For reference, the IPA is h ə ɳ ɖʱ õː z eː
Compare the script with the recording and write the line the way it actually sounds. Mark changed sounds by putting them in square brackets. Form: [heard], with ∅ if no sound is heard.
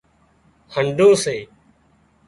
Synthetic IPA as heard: h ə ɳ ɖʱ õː [s] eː